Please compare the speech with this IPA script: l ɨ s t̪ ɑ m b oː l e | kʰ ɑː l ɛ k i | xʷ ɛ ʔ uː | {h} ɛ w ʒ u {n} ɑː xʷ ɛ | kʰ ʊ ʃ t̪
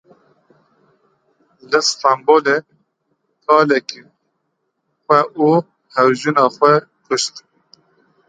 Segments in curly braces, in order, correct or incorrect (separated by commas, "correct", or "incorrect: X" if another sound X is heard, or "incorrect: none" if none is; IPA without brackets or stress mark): correct, correct